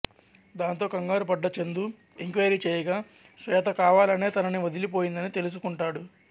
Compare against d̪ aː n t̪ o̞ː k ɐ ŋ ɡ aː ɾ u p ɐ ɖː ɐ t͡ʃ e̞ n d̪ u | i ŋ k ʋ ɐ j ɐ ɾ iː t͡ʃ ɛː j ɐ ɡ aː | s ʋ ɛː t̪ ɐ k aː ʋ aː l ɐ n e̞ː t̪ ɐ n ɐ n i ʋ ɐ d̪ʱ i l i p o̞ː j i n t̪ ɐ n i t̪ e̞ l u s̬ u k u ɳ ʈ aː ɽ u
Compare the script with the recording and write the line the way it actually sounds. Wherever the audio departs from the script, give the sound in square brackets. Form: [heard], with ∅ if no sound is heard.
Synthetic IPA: d̪ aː n t̪ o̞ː k ɐ ŋ ɡ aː ɾ u p ɐ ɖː ɐ t͡ʃ e̞ n d̪ u | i ŋ k ʋ ɐ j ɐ ɾ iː t͡ʃ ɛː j ɐ ɡ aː | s ʋ ɛː t̪ ɐ k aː ʋ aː l ɐ n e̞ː t̪ ɐ n ɐ n i ʋ ɐ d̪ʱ i l i p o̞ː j i n [d̪] ɐ n i t̪ e̞ l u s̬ u k u ɳ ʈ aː ɽ u